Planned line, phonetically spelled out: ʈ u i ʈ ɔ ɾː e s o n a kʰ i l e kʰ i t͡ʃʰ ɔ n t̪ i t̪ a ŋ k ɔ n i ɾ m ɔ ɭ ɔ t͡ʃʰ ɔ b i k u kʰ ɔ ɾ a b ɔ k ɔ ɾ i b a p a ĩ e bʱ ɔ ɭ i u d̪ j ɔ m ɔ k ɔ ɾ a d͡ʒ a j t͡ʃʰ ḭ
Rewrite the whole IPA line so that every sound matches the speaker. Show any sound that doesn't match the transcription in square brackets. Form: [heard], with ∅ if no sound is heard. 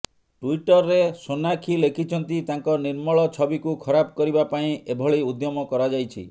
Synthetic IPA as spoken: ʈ u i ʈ ɔ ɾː e s o n a kʰ i l e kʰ i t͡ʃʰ ɔ n t̪ i t̪ a ŋ k ɔ n i ɾ m ɔ ɭ ɔ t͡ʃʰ ɔ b i k u kʰ ɔ ɾ a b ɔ k ɔ ɾ i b a p a ĩ e bʱ ɔ ɭ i u d̪ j ɔ m ɔ k ɔ ɾ a d͡ʒ a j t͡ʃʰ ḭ